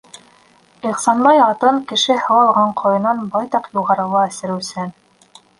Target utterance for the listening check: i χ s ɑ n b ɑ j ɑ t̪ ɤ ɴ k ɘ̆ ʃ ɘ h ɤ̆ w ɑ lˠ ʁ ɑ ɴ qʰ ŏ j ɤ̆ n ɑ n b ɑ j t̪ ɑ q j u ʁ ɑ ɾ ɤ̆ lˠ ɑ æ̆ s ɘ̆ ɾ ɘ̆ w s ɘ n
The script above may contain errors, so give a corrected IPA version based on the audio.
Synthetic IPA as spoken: i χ s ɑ n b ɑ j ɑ t̪ ɤ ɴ k ɘ̆ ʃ ɘ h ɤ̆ w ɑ lˠ ʁ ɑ ɴ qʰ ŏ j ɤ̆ n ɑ n b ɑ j t̪ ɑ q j u ʁ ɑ ɾ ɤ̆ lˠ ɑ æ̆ s ɘ̆ ɾ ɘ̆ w s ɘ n